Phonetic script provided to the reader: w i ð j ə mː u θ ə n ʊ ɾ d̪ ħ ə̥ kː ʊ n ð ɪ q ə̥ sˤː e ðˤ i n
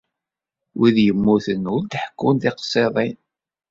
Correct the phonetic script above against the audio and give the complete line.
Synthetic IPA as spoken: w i ð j ə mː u θ ə n ʊ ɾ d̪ ħ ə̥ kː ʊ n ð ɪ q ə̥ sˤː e ðˤ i n